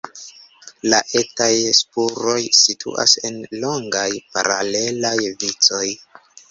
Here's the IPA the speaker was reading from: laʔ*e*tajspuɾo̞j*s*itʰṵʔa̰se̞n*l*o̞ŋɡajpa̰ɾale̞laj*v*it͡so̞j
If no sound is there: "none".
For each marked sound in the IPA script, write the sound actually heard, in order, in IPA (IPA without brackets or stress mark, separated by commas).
e, s, l, v